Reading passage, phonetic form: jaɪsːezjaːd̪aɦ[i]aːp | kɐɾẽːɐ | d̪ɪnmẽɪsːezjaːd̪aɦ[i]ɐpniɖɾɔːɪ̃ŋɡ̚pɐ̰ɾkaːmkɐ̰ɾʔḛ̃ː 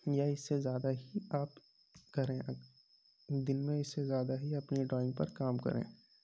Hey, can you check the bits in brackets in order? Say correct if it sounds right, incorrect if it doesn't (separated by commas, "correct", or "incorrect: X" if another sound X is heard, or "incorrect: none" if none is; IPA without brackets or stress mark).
correct, correct